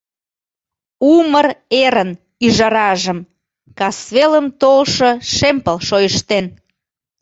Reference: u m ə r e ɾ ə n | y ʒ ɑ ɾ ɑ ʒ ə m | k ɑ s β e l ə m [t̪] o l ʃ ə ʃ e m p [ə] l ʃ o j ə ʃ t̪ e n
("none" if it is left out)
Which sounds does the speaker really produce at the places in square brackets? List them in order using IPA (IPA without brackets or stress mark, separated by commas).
t̪, ə